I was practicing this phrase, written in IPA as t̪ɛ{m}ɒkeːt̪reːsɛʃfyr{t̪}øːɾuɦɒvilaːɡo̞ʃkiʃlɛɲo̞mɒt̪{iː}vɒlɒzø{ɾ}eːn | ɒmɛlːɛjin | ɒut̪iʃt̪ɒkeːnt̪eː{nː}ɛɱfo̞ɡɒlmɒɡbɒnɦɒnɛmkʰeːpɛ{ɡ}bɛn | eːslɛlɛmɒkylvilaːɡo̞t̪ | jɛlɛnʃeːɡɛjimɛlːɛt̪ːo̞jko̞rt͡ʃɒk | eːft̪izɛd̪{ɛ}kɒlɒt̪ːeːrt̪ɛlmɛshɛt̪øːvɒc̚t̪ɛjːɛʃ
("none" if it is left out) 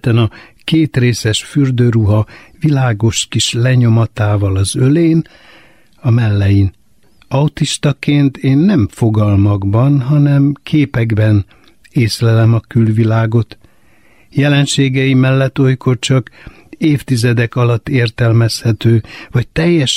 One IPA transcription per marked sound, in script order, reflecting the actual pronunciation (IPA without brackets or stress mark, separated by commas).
n, d̪, aː, l, nː, ɡ, ɛ